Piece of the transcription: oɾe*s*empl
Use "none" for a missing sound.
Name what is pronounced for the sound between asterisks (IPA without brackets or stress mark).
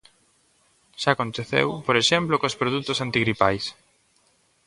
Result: ʃ